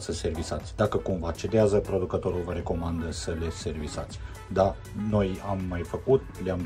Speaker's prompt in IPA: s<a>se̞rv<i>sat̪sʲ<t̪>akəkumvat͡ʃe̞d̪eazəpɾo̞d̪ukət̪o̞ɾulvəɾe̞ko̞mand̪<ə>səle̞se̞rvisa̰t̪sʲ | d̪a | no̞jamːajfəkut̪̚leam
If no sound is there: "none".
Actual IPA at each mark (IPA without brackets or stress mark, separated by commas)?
ə, i, d̪, ə